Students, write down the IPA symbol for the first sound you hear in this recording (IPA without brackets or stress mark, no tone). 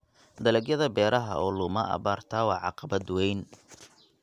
d̪